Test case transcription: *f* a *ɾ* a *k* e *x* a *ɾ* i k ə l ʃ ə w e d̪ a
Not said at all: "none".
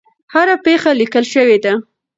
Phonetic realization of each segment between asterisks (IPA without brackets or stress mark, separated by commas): h, ɾ, p, x, l